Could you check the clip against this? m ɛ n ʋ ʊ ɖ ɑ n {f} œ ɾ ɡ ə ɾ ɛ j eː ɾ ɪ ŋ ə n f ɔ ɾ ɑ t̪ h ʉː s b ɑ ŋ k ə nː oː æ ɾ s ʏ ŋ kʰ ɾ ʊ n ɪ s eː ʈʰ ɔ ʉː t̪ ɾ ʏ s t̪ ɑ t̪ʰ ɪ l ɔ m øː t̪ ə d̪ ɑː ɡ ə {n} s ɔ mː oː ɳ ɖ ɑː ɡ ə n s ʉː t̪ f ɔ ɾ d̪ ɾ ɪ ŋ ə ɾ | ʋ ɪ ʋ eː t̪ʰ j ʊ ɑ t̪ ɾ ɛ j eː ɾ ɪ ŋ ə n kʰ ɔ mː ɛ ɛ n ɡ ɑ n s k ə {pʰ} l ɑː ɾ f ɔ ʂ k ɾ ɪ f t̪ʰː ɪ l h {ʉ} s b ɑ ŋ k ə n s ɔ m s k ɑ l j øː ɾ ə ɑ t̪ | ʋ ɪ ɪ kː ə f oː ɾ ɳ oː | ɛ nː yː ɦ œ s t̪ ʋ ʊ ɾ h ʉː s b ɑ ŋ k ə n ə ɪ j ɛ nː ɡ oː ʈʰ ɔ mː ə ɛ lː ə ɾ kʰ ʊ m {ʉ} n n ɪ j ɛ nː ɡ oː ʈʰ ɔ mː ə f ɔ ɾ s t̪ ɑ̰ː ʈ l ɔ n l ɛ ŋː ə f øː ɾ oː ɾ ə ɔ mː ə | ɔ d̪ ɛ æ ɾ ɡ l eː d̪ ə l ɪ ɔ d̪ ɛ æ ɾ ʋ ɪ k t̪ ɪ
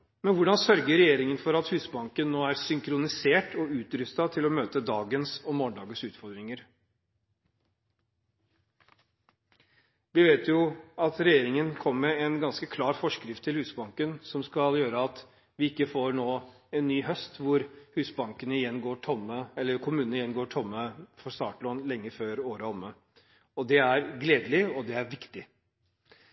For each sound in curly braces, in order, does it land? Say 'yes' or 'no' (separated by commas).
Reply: no, yes, no, no, no